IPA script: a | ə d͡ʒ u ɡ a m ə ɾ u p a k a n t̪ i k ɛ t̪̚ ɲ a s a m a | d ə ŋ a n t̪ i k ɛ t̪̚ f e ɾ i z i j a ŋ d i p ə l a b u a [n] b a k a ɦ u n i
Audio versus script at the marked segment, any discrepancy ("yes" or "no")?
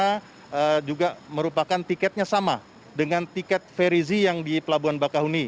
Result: no